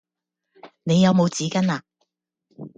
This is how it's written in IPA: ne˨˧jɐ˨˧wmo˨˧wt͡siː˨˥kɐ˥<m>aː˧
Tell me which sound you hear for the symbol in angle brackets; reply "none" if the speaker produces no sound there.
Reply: n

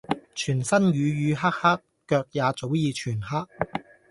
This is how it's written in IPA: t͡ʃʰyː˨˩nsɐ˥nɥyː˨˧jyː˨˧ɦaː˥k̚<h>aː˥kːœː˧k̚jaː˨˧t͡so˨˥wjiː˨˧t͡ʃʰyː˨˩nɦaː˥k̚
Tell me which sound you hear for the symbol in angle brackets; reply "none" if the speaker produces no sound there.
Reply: h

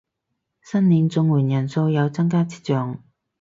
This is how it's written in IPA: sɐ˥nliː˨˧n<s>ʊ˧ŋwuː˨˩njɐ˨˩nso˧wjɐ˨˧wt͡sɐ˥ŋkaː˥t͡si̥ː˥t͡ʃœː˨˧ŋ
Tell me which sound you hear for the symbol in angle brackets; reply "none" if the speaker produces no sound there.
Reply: t͡s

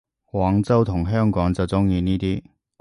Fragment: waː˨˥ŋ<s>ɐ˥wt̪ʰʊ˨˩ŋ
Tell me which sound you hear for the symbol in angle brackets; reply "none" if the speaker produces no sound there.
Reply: t͡s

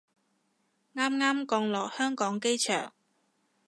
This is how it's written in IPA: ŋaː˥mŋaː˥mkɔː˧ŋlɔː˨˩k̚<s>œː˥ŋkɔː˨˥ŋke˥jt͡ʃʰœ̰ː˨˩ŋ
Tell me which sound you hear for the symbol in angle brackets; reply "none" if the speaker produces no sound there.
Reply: h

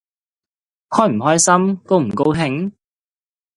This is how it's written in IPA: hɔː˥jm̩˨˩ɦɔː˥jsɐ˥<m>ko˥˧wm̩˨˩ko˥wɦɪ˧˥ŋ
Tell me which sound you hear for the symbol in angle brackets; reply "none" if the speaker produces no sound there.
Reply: m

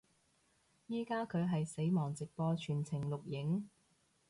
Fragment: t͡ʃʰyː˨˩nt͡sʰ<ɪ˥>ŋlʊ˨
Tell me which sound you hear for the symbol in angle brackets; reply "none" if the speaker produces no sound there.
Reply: ɪ˨˩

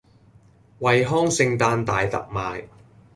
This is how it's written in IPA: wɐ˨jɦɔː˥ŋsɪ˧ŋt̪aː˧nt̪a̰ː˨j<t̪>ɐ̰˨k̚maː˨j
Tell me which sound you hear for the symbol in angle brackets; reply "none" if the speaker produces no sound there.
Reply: t̪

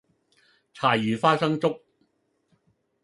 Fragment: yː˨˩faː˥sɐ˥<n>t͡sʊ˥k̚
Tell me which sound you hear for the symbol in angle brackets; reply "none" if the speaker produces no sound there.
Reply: ŋ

